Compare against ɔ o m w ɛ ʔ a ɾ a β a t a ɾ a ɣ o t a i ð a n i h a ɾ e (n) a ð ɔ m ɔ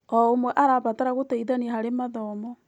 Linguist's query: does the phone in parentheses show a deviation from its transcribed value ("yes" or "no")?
yes